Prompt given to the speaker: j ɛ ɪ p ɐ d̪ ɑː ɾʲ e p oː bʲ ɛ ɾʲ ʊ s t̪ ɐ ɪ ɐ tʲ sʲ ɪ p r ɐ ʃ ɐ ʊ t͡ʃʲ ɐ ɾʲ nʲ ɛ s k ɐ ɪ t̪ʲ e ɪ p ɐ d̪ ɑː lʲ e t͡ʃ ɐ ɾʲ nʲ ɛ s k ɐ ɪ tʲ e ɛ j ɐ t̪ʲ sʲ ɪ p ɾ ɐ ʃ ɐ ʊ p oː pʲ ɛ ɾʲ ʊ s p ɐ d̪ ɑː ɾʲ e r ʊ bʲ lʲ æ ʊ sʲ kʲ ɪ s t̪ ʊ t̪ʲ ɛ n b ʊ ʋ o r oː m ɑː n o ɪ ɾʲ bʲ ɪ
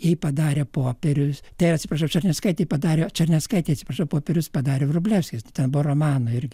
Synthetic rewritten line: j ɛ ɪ p ɐ d̪ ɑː ɾʲ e p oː pʲ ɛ ɾʲ ʊ s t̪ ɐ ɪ ɐ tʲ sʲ ɪ p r ɐ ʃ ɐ ʊ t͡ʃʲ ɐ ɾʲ nʲ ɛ s k ɐ ɪ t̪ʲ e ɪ p ɐ d̪ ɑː ɾʲ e t͡ʃ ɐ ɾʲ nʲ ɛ s k ɐ ɪ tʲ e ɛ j ɐ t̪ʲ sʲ ɪ p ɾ ɐ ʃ ɐ ʊ p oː pʲ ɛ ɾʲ ʊ s p ɐ d̪ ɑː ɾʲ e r ʊ bʲ lʲ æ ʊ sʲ kʲ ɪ s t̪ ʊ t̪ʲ ɛ n b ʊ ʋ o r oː m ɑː n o ɪ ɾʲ ɡʲ ɪ